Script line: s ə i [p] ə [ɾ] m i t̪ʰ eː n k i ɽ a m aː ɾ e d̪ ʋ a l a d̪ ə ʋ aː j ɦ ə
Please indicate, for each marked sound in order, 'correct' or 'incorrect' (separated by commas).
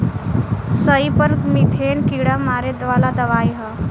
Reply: correct, correct